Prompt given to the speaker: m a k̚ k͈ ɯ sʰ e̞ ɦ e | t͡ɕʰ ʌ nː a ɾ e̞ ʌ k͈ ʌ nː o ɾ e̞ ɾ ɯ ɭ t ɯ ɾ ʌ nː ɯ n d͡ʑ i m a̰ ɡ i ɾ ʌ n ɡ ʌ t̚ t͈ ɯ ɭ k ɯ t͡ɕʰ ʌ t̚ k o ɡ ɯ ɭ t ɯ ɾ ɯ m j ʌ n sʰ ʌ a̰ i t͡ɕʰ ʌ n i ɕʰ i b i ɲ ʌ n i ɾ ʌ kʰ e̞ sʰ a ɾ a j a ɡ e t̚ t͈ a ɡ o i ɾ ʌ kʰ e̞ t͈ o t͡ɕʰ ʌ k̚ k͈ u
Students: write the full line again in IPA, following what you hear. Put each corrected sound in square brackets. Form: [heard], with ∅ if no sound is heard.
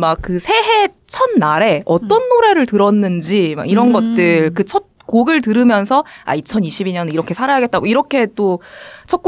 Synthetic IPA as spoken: m a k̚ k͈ ɯ sʰ e̞ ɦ e | t͡ɕʰ ʌ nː a ɾ e̞ ʌ [t͈] ʌ nː o ɾ e̞ ɾ ɯ ɭ t ɯ ɾ ʌ nː ɯ n d͡ʑ i m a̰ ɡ i ɾ ʌ n ɡ ʌ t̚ t͈ ɯ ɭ k ɯ t͡ɕʰ ʌ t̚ k o ɡ ɯ ɭ t ɯ ɾ ɯ m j ʌ n sʰ ʌ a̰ i t͡ɕʰ ʌ n i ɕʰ i b i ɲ ʌ n i ɾ ʌ kʰ e̞ sʰ a ɾ a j a ɡ e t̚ t͈ a ɡ o i ɾ ʌ kʰ e̞ t͈ o t͡ɕʰ ʌ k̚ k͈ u